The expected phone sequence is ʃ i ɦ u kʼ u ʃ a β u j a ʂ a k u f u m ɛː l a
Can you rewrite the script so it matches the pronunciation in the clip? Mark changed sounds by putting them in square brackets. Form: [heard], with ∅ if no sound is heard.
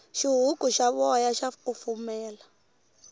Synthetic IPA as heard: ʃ i ɦ u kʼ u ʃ a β [ɔ] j a [ʃ] a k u f u m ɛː l a